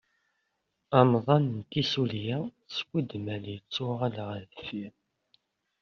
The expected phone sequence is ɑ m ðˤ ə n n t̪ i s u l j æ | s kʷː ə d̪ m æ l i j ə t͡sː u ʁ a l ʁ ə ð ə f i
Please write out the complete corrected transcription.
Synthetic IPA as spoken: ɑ m ðˤ ɑ n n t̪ i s u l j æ | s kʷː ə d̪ m æ l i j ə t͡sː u ʁ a l ʁ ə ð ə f i